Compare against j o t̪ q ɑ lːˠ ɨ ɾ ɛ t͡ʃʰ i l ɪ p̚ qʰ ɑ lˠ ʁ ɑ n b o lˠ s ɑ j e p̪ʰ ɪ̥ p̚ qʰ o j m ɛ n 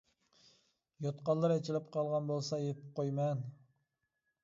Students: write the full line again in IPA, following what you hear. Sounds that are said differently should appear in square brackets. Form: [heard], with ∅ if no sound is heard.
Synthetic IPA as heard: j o t̪ q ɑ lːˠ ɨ ɾ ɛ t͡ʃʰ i l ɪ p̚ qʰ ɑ lˠ ʁ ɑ n b o lˠ s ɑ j e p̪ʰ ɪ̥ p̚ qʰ o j m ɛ n